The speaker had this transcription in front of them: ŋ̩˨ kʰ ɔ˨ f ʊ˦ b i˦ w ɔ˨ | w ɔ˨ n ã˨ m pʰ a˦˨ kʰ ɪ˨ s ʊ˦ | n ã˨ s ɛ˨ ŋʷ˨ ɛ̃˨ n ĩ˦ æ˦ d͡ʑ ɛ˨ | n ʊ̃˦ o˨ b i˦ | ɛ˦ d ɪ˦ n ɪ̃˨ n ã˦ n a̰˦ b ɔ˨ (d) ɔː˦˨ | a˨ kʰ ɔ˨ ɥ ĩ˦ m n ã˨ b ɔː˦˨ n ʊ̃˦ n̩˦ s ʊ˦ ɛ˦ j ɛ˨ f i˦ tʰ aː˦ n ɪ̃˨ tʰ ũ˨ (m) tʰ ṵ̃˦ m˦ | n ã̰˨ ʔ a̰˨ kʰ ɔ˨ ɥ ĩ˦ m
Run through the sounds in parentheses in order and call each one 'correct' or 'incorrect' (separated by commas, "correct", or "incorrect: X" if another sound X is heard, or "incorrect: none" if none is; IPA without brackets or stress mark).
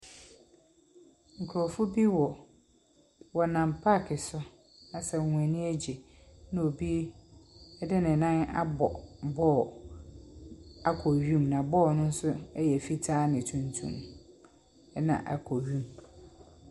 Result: incorrect: b, incorrect: n